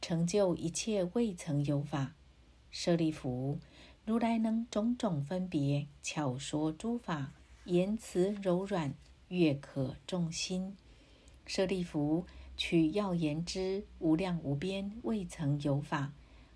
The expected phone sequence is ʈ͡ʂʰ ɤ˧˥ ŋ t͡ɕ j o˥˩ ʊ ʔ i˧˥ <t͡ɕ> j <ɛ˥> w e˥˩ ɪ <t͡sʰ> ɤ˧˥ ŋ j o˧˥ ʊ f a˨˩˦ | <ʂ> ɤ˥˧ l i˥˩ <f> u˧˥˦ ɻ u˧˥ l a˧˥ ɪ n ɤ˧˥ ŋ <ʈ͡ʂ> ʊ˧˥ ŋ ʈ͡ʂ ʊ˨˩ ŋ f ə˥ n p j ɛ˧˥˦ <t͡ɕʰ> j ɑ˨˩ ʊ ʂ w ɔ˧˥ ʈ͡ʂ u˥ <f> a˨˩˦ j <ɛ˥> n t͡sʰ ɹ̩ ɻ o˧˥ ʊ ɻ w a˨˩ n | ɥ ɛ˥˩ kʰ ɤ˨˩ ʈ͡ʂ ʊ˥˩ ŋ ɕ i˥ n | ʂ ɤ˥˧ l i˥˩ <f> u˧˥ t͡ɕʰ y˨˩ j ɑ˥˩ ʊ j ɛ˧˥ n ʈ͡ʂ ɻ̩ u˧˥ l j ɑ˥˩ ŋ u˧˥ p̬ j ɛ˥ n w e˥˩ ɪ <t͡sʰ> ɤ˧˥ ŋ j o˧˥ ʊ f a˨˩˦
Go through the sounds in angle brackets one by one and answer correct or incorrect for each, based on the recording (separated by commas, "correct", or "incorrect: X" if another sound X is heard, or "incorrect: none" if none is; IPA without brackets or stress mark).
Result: incorrect: t͡ɕʰ, incorrect: ɛ˥˧, correct, correct, correct, correct, correct, correct, incorrect: ɛ˧˥, correct, correct